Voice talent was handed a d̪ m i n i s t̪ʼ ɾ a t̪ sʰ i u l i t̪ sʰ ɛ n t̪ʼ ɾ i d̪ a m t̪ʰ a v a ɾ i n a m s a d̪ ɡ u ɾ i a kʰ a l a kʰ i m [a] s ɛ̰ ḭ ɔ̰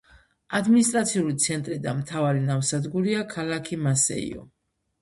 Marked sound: correct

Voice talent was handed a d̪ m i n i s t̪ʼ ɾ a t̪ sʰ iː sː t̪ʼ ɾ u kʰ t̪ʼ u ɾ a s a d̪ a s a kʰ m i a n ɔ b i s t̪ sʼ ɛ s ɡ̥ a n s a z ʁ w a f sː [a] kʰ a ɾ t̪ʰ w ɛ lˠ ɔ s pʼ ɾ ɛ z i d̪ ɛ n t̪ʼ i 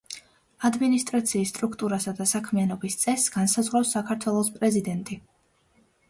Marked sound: correct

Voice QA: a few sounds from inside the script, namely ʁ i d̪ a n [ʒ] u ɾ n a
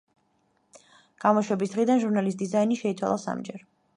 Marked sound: correct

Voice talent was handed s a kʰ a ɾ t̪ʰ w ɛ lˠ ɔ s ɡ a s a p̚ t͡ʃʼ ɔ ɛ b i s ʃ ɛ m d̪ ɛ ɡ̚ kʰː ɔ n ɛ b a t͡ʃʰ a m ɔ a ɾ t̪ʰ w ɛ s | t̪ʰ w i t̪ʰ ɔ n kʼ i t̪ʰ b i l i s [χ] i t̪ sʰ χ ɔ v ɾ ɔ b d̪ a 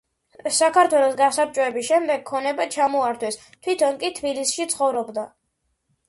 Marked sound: incorrect: ʃ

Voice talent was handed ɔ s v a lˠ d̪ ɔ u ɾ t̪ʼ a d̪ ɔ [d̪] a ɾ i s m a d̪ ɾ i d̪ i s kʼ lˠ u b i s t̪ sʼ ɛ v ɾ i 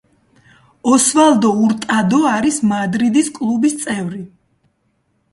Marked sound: incorrect: none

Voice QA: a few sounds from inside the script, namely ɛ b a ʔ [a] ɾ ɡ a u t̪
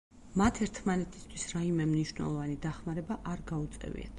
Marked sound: correct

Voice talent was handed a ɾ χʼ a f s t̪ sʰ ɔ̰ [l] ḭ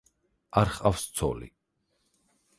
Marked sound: correct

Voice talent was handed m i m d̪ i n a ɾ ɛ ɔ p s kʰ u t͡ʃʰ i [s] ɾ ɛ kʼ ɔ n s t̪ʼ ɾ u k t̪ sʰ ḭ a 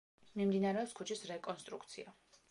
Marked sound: correct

